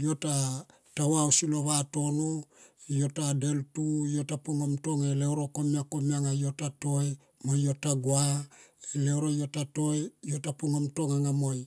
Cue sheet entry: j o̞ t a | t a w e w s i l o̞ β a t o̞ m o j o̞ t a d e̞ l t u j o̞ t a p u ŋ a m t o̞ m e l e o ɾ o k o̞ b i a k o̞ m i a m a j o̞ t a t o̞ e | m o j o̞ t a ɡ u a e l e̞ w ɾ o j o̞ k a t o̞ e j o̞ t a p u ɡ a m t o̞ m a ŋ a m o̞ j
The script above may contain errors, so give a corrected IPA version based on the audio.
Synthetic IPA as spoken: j o̞ t a | t a w a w s i l o̞ β a t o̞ n o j o̞ t a d e̞ l t u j o̞ t a p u ŋ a m t o̞ ŋ e l e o ɾ o k o̞ m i a k o̞ m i a ŋ a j o̞ t a t o̞ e | m o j o̞ t a ɡ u a e l e̞ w ɾ o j o̞ t a t o̞ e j o̞ t a p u ŋ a m t o̞ ŋ a ŋ a m o̞ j

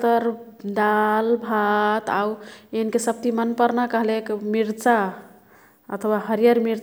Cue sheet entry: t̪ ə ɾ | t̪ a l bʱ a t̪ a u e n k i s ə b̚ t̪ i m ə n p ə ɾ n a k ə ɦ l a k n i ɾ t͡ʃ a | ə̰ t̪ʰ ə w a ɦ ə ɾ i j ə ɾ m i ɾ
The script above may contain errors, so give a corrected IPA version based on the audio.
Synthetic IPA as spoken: t̪ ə ɾ | d̪ a l bʱ a t̪ a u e n k e s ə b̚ t̪ i m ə n p ə ɾ n a k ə ɦ l e k m i ɾ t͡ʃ a | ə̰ t̪ʰ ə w a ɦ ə ɾ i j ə ɾ m i ɾ

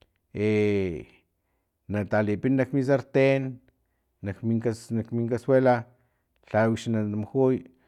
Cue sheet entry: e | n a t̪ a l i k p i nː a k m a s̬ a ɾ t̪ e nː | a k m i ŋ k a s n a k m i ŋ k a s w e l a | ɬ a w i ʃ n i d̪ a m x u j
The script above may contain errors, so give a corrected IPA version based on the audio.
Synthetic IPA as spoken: e | n a t̪ a l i p i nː a k m i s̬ a ɾ t̪ e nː | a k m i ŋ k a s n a k m i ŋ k a s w e l a | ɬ a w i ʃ n a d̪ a m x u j

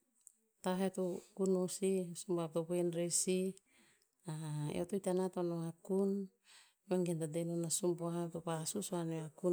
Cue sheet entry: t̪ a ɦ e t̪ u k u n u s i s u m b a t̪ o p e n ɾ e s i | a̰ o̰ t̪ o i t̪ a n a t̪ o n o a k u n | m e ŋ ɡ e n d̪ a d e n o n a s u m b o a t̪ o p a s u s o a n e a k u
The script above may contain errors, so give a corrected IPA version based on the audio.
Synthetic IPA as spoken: t̪ a ɦ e t̪ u k u n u s i s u m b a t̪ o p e n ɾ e s i | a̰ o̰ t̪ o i t̪ a n a t̪ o n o a k u n | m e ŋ ɡ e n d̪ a d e n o n a s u m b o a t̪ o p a s u s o a n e a k u

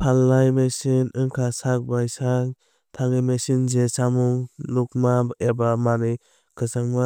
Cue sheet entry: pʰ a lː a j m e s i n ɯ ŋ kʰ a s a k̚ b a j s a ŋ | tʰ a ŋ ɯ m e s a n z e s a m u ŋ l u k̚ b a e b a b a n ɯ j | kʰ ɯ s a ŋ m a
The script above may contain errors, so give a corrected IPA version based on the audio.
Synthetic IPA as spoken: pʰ a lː a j m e s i n ɯ ŋ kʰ a s a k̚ b a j s a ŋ | tʰ a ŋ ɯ m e s i n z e s a m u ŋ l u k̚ m a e b a m a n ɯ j | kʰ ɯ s a ŋ m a

